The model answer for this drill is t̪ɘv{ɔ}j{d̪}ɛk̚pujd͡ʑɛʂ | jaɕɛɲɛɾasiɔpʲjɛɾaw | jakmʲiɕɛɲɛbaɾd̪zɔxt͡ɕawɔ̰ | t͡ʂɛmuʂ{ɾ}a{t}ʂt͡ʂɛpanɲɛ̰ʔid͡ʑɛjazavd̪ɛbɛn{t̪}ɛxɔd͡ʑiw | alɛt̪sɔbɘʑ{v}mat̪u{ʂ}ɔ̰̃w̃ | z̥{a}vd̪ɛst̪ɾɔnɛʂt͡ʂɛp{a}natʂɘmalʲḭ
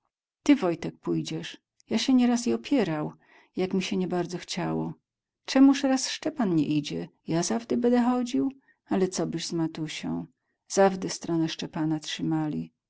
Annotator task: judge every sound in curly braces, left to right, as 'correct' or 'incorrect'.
correct, incorrect: t̪, correct, incorrect: s, incorrect: d̪, incorrect: z, incorrect: ɕ, correct, correct

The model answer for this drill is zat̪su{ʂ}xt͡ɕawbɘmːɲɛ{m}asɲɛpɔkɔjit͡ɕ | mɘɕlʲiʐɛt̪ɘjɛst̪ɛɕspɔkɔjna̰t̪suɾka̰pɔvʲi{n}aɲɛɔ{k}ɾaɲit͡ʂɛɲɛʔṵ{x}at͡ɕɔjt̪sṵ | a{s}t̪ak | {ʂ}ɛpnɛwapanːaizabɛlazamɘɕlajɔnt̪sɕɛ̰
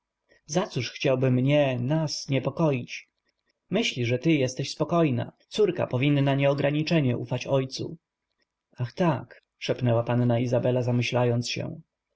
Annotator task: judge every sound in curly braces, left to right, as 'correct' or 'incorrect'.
correct, incorrect: n, incorrect: nː, incorrect: ɡ, incorrect: f, incorrect: x, correct

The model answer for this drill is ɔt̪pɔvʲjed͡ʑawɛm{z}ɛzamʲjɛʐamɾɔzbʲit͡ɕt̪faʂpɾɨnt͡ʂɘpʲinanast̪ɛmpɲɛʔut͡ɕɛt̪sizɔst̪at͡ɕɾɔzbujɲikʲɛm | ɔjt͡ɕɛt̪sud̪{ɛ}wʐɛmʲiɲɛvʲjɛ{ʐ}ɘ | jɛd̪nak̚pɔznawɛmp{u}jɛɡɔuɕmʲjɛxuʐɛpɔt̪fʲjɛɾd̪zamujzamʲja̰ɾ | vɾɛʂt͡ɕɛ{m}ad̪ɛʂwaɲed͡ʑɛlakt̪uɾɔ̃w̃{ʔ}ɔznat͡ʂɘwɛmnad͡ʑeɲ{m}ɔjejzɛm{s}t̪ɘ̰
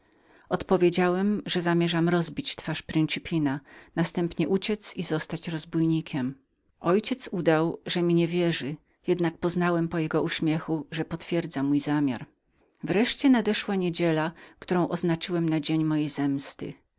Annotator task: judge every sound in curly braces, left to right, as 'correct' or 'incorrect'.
incorrect: ʐ, incorrect: a, correct, incorrect: ɔ, incorrect: n, correct, correct, correct

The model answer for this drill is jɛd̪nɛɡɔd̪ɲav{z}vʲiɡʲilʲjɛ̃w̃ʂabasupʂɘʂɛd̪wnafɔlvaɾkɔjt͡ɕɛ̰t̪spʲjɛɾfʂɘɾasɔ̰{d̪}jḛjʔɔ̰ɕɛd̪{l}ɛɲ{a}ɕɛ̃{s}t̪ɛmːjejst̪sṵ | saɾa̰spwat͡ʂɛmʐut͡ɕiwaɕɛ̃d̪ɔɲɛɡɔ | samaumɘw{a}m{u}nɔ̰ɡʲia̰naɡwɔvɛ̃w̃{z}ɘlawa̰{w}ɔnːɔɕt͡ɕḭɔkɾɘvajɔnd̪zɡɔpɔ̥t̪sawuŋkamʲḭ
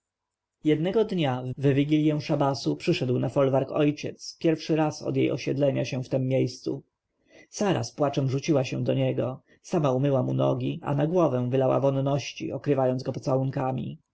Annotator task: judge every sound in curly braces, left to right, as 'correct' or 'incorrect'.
incorrect: v, correct, correct, correct, incorrect: f, correct, correct, incorrect: v, incorrect: v

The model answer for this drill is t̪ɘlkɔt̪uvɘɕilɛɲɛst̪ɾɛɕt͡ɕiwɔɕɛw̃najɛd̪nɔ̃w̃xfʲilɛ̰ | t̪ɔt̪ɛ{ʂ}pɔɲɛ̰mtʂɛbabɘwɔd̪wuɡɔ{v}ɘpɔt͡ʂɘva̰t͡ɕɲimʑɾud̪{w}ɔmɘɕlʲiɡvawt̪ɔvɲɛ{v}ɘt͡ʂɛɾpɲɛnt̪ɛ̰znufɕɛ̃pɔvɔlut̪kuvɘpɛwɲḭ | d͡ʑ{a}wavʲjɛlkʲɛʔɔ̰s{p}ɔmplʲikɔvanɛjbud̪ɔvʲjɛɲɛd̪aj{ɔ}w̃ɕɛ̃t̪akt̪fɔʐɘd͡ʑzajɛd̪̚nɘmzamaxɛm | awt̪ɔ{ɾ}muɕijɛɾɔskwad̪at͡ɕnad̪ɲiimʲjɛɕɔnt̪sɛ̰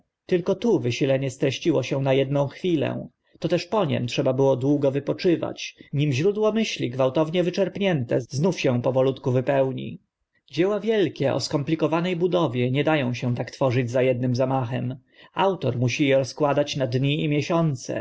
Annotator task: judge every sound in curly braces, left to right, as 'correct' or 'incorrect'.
correct, correct, correct, correct, incorrect: ɛ, incorrect: k, incorrect: ɔ̃, correct

